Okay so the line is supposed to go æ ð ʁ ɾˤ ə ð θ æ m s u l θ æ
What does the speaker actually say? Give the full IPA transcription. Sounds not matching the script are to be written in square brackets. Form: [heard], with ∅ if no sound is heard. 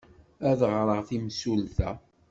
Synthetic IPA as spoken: æ ð ʁ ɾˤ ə [ʁ] θ [i] m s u l θ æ